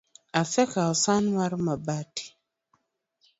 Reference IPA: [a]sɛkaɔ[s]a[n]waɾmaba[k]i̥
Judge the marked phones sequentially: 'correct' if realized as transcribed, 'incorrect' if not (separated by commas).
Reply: correct, correct, correct, incorrect